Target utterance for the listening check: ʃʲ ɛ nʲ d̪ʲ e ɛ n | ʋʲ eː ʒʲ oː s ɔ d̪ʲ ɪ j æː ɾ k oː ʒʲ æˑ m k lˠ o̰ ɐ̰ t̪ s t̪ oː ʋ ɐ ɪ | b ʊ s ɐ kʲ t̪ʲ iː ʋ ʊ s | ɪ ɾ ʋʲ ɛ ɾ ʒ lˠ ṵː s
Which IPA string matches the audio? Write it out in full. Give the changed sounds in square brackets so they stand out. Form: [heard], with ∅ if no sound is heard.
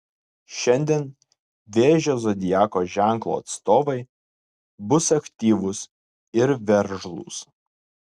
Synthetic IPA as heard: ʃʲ ɛ nʲ d̪ʲ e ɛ n | ʋʲ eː ʒʲ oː [z] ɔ d̪ʲ ɪ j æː [∅] k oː ʒʲ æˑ [ŋ] k lˠ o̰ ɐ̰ t̪ s t̪ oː ʋ ɐ ɪ | b ʊ s ɐ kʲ t̪ʲ iː ʋ ʊ s | ɪ ɾ ʋʲ ɛ ɾ ʒ lˠ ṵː s